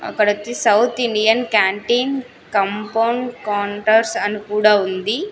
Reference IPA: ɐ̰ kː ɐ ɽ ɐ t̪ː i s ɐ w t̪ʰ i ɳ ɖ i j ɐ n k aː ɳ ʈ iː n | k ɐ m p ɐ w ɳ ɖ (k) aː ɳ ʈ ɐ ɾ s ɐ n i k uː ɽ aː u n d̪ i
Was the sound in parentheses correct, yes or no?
yes